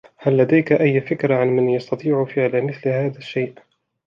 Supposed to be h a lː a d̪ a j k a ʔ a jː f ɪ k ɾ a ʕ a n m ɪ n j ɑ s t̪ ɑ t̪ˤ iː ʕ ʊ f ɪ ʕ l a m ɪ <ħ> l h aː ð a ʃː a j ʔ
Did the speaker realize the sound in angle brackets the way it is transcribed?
no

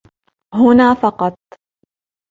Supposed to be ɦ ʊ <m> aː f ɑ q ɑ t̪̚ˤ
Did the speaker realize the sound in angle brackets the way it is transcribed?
no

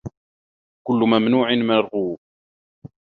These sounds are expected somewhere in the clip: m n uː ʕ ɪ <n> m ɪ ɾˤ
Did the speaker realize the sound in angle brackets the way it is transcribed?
yes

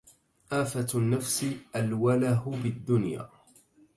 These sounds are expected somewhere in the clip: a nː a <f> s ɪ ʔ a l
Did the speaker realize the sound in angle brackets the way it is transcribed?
yes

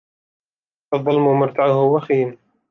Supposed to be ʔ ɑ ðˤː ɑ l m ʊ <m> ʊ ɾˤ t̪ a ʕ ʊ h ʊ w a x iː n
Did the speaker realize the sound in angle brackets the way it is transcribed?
yes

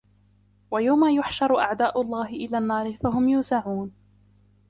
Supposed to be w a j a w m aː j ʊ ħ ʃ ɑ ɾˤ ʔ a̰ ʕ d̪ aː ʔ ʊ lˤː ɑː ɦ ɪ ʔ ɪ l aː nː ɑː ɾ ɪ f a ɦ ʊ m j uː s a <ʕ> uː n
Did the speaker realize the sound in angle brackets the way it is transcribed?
yes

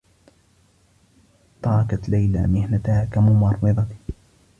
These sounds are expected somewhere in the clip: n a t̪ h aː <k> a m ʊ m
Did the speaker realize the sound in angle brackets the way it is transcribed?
yes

